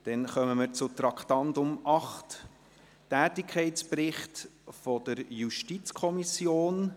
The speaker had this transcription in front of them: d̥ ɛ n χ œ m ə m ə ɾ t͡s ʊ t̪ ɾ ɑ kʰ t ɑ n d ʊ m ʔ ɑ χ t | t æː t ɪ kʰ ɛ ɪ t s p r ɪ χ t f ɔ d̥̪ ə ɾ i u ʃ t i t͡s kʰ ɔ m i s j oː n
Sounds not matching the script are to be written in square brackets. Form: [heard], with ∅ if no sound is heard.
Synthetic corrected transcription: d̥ ɛ n χ œ m ə m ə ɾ t͡s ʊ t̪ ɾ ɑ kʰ t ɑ n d ʊ m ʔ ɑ χ t | t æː t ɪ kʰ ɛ ɪ t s p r ɪ χ t f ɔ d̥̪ ə ɾ [j] u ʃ t i t͡s kʰ ɔ m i s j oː n

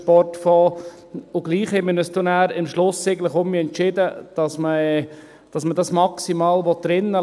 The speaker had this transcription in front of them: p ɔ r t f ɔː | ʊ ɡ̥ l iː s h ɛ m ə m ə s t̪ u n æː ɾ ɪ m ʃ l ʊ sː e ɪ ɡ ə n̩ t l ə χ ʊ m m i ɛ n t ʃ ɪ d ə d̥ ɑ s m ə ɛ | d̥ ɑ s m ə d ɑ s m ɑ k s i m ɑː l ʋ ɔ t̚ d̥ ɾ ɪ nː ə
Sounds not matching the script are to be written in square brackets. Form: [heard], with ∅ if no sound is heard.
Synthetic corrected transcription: p ɔ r t f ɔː | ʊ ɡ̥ l iː [χ] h ɛ m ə [n] ə s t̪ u n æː ɾ ɪ m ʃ l ʊ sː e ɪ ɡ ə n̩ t l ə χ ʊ m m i ɛ n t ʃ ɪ d ə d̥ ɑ s m ə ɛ | d̥ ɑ s m ə d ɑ s m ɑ k s i m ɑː l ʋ ɔ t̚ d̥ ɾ ɪ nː ə

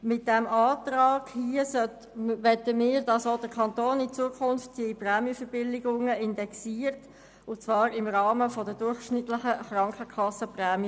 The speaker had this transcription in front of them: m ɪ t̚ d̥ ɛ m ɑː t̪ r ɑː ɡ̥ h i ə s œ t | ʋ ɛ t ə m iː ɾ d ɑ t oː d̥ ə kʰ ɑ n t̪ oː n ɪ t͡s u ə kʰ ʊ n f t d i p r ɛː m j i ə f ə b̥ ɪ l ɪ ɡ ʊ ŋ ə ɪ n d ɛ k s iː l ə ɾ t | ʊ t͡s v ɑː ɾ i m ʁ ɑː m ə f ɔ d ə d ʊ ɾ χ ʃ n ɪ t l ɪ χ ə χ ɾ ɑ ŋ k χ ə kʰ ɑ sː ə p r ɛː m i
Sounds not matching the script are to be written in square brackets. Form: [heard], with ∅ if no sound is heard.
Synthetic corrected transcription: m ɪ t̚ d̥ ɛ m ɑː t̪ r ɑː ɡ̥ h i ə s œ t | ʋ ɛ t ə m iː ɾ d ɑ [s] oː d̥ ə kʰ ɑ n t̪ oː n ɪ t͡s u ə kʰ ʊ n f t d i p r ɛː m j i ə f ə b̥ ɪ l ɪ ɡ ʊ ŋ ə ɪ n d ɛ k s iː [∅] ə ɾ t | ʊ t͡s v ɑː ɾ [ɪ] m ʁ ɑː m ə f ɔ d ə d ʊ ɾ χ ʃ n ɪ t l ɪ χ ə χ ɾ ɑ ŋ k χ ə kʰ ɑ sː ə p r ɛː m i

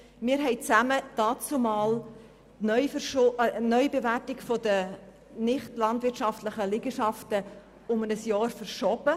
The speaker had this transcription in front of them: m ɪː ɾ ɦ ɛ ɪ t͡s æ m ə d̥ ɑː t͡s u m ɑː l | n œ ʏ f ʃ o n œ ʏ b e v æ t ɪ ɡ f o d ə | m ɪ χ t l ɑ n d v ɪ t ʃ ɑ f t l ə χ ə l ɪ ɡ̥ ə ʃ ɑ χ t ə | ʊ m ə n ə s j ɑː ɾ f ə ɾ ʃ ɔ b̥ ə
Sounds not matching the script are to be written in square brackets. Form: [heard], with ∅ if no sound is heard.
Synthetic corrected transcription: m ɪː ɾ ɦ ɛ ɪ t͡s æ m ə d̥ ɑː t͡s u m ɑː l | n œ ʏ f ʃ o n œ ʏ b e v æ t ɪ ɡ f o d ə | [n] ɪ χ t l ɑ n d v ɪ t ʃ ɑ f t l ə χ ə l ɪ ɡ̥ ə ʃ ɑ [f] t ə | ʊ m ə n ə s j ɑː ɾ f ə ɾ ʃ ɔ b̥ ə

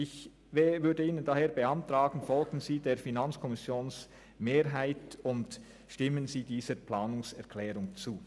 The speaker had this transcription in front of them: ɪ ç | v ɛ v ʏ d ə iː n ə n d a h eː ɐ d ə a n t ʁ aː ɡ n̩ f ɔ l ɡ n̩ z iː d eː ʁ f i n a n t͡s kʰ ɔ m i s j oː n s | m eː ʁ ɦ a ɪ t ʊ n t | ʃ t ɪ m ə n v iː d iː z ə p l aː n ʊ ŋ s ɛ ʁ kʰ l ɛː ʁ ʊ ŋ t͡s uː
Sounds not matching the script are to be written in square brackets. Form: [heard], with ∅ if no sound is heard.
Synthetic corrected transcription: ɪ ç | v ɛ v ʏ d ə iː n ə n d a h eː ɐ [b] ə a n t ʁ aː ɡ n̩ f ɔ l ɡ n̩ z iː d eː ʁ f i n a n t͡s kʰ ɔ m [ɪ] s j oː n s | m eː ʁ ɦ a ɪ t ʊ n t | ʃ t ɪ m ə n [z] iː d iː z ə p l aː n ʊ ŋ s ɛ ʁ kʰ l ɛː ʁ ʊ ŋ t͡s uː

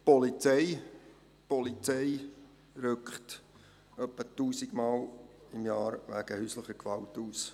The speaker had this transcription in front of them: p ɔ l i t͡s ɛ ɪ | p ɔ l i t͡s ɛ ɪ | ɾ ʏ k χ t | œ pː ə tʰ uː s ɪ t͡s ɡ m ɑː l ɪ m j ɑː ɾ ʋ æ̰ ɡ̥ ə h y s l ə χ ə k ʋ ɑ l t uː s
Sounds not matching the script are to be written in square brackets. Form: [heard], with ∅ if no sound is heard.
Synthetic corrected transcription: p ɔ l i t͡s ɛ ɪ | p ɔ l i t͡s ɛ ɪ | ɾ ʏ k χ t | œ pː ə [t] uː s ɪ [∅] ɡ m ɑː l ɪ m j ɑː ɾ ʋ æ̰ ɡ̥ ə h y s l ə χ ə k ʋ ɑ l t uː s

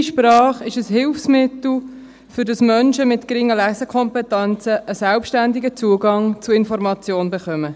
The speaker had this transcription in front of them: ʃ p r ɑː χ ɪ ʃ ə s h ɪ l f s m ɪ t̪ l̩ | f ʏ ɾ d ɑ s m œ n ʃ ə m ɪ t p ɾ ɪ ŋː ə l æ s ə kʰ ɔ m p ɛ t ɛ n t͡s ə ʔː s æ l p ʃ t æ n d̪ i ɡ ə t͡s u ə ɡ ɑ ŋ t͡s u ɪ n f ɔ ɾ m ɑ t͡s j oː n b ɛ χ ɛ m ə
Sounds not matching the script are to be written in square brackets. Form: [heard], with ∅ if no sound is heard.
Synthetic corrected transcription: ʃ p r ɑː χ ɪ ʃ ə s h ɪ l f s m ɪ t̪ l̩ | f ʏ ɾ d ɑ s m œ n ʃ ə m ɪ t [k] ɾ ɪ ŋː ə l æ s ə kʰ ɔ m p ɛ t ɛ n t͡s ə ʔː s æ l p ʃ t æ n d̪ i ɡ ə t͡s u ə ɡ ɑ ŋ t͡s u ɪ n f ɔ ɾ m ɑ t͡s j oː n b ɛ χ [œ] m ə

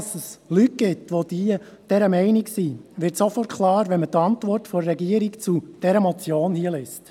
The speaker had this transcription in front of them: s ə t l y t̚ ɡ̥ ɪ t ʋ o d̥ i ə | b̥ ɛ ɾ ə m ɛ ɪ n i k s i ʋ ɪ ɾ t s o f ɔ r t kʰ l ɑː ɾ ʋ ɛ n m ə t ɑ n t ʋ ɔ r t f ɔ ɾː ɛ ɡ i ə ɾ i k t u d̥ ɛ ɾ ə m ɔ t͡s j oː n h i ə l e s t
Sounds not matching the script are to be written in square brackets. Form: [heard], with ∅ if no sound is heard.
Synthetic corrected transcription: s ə [s] l y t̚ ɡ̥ ɪ t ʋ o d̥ i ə | [d̥] ɛ ɾ ə m ɛ ɪ n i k s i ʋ ɪ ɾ t s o f ɔ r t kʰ l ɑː ɾ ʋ ɛ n m ə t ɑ n t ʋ ɔ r t f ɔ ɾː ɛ ɡ i ə ɾ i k [t͡s] u d̥ ɛ ɾ ə m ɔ t͡s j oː n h i ə l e s t

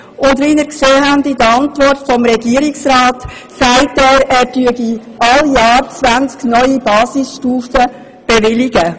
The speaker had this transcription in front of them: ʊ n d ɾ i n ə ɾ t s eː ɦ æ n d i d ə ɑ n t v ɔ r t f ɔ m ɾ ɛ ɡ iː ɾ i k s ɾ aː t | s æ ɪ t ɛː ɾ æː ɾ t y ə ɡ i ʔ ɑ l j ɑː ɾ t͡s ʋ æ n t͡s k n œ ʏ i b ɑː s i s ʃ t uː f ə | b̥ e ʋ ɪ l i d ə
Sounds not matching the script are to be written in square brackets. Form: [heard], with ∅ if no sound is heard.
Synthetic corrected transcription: ʊ n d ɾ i n ə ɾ [k] s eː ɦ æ n d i d ə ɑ n t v ɔ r t f ɔ m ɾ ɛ ɡ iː ɾ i k s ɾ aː t | s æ ɪ t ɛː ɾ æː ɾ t y ə ɡ i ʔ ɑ l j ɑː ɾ t͡s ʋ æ n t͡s k n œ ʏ i b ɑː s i s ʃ t uː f ə | b̥ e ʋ ɪ l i [ɡ] ə

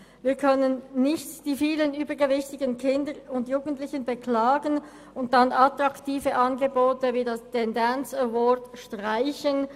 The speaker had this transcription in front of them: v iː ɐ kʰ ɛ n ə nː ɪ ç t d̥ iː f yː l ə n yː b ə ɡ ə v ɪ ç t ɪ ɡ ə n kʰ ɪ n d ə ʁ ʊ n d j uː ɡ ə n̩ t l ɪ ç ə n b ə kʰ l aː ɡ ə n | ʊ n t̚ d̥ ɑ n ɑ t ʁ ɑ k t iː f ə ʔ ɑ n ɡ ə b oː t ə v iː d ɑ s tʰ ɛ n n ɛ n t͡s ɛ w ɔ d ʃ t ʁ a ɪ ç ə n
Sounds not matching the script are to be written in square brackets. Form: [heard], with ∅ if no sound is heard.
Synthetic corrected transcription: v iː ɐ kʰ [œ] n ə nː ɪ ç t d̥ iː f [iː] l ə n yː b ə ɡ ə v ɪ ç t ɪ ɡ ə n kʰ ɪ n d ə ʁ ʊ n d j uː ɡ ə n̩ t l ɪ ç ə n b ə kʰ l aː ɡ ə n | ʊ n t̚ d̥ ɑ n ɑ t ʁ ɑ k t iː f ə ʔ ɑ n ɡ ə b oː t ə v iː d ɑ s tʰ ɛ n [d] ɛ n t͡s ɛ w ɔ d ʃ t ʁ a ɪ ç ə n

